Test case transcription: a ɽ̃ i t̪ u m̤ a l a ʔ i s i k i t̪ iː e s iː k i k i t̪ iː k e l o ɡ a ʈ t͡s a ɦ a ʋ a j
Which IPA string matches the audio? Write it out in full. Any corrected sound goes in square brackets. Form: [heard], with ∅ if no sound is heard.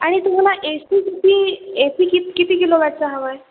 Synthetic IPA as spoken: a ɽ̃ i t̪ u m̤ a l a ʔ [e] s i k i t̪ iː e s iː k i k i t̪ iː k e l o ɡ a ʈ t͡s a ɦ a ʋ a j